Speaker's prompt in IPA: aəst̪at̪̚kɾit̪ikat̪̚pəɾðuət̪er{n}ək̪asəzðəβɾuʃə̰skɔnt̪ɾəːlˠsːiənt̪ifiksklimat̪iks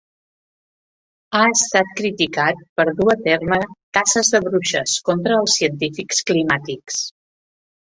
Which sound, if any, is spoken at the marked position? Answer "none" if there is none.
m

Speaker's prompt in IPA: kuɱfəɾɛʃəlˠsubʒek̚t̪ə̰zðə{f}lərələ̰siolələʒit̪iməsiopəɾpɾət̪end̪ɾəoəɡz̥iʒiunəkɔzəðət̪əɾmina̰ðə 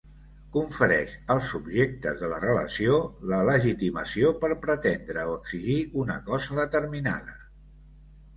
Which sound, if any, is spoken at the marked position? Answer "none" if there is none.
none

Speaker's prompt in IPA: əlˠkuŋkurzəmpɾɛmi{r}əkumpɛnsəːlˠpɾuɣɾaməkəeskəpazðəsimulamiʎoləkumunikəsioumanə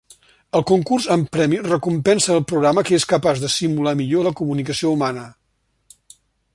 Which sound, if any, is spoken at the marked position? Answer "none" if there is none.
r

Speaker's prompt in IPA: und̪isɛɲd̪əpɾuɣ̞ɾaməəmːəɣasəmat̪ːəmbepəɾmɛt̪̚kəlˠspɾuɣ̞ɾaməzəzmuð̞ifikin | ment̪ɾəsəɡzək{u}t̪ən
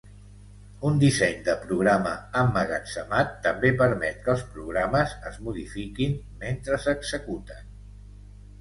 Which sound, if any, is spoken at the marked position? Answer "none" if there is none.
u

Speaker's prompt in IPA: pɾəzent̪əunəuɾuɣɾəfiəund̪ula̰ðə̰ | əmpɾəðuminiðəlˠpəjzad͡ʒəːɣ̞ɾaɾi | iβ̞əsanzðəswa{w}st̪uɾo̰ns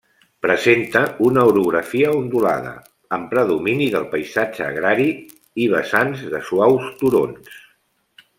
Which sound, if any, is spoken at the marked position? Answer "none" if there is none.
w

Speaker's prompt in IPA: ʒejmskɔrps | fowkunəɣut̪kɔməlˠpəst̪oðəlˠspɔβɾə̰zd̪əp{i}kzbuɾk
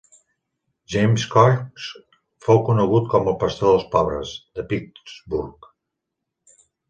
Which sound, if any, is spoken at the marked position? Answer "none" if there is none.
i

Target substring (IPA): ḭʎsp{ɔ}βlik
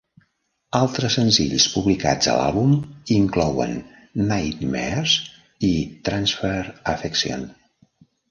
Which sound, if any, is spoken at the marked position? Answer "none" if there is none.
u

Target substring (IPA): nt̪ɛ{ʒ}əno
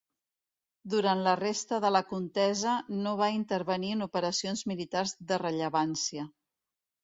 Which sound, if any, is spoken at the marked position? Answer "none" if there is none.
z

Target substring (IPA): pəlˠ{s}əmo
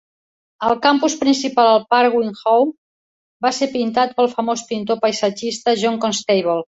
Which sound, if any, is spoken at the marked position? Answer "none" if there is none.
f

